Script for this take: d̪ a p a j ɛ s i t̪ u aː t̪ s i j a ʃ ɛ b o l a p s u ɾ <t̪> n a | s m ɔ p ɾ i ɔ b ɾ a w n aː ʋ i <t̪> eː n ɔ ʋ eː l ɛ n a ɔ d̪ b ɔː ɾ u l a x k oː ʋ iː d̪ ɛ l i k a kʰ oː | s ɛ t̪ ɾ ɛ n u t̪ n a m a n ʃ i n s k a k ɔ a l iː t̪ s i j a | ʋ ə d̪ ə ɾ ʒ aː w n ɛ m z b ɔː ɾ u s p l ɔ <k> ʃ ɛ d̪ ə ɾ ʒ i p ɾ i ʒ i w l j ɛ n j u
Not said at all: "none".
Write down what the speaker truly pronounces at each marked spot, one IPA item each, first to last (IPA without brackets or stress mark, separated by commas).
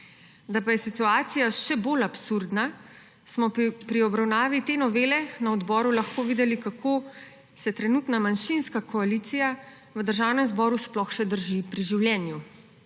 d̪, t̪, x